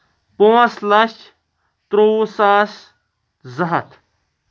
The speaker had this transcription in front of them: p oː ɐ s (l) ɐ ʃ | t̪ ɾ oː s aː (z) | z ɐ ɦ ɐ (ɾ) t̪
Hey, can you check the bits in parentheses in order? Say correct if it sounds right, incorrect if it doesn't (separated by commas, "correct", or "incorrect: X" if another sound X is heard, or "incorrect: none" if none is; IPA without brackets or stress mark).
correct, incorrect: s, incorrect: none